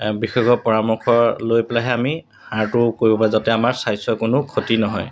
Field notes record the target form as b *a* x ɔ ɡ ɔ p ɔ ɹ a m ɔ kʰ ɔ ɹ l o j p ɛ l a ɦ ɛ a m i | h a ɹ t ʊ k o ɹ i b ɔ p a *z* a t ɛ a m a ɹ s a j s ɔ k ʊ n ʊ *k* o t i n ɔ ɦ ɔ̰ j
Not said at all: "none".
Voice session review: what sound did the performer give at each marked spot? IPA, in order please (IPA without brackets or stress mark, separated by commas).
i, z, kʰ